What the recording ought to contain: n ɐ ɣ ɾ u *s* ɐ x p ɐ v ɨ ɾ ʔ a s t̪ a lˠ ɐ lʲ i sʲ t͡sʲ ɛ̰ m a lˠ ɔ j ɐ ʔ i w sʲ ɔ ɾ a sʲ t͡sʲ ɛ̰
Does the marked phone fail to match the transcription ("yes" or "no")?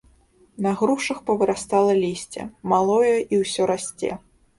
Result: yes